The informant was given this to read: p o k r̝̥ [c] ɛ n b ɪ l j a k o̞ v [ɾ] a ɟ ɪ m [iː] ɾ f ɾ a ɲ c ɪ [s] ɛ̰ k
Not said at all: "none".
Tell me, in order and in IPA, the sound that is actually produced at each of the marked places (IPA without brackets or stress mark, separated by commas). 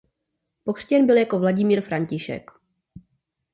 c, l, iː, ʃ